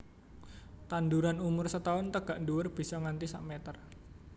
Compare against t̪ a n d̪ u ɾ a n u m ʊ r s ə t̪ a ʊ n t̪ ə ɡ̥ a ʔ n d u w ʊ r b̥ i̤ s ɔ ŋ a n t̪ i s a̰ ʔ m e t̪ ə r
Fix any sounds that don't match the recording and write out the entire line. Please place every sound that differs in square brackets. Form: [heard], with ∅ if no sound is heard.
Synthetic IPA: t̪ a n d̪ u ɾ a n u m ʊ r s ə t̪ a ʊ n t̪ ə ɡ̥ a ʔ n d u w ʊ r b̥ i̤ s ɔ ŋ a n t̪ i s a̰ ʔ m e t̪ ə r